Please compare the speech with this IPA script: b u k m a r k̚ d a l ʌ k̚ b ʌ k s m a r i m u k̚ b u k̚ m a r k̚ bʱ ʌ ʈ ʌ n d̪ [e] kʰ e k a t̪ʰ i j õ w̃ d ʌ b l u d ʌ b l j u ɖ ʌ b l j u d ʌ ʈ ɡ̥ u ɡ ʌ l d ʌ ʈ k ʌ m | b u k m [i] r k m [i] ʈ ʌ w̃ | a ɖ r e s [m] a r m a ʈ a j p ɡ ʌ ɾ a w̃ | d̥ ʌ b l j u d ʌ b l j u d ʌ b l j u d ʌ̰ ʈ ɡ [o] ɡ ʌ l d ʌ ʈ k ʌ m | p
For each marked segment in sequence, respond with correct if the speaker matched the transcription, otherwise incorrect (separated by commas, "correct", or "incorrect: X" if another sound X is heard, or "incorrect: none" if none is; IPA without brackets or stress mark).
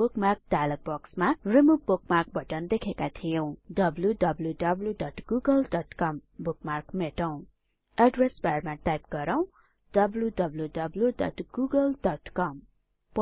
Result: correct, incorrect: a, incorrect: e, incorrect: b, incorrect: u